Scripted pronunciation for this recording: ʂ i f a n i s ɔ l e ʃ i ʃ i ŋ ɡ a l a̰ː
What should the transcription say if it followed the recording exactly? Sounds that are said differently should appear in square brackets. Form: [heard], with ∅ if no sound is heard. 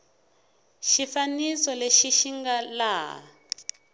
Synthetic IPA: [ʃ] i f a n i s ɔ l e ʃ i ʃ i ŋ ɡ a l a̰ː